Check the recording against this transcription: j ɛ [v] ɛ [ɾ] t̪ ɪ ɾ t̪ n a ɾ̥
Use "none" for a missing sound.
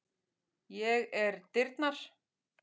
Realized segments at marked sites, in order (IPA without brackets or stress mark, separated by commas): ɣ, ɾ